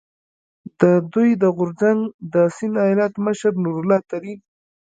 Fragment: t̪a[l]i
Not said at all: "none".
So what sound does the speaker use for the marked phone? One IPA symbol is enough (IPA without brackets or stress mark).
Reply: ɾ